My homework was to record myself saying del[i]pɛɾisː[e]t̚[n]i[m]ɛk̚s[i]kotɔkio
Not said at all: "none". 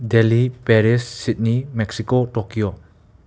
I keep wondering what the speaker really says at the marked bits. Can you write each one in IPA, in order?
i, i, n, m, i

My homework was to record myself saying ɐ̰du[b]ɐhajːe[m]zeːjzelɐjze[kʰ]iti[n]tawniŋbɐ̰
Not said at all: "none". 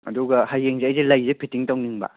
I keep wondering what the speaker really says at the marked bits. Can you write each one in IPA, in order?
ɡ, ŋ, pʰ, ŋ

